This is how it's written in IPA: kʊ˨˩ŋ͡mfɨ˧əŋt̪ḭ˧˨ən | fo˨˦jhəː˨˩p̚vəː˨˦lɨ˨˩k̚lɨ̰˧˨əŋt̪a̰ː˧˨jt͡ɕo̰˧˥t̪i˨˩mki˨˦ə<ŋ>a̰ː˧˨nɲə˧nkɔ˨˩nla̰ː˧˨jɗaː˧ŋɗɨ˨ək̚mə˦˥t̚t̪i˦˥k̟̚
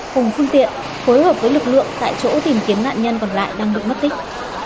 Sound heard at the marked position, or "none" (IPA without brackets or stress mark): n